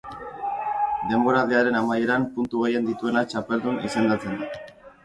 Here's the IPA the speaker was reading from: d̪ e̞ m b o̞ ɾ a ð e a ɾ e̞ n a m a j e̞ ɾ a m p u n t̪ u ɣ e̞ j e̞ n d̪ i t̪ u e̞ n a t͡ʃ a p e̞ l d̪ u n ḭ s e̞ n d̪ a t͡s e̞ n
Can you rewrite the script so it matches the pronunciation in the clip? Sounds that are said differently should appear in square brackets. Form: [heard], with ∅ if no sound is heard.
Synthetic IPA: d̪ e̞ m b o̞ ɾ a ð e a ɾ e̞ n a m a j e̞ ɾ a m p u n t̪ u ɣ e̞ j e̞ n d̪ i t̪ u e̞ n a t͡ʃ a p e̞ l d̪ u n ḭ s e̞ n d̪ a t͡s e̞ n